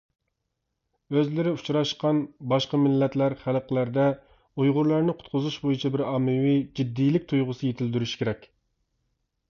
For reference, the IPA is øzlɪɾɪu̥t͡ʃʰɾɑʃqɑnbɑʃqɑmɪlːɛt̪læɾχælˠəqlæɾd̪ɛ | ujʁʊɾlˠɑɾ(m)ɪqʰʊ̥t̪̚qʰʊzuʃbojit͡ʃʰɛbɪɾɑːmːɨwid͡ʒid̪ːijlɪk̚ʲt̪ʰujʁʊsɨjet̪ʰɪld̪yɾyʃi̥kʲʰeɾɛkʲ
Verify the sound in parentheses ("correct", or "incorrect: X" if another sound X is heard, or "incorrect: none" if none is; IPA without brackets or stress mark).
incorrect: n